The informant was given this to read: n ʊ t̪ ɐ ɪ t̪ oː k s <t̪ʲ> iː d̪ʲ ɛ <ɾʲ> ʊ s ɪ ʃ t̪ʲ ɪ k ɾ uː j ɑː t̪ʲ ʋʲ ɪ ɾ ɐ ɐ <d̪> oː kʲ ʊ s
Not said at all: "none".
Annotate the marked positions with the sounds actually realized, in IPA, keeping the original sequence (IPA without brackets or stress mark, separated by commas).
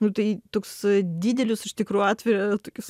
d̪ʲ, lʲ, t̪